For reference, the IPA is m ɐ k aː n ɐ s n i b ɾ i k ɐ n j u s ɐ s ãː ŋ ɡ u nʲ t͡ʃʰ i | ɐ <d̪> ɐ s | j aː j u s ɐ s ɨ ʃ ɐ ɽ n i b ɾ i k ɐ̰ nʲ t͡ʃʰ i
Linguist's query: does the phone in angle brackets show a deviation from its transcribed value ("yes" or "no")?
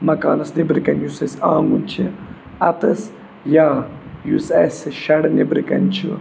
yes